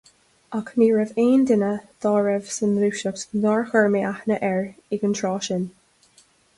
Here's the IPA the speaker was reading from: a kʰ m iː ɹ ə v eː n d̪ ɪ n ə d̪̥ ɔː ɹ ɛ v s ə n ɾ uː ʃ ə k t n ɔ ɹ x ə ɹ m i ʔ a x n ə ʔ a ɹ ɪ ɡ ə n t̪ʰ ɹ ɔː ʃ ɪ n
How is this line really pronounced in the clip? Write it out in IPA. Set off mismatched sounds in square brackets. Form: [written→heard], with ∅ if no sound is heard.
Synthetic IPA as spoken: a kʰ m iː ɹ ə v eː n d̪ ɪ n ə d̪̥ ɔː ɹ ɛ v s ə n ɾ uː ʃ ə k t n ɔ ɹ x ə ɹ m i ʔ a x n ə ʔ [a→ɛ] ɹ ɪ ɡ ə n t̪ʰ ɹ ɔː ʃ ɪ n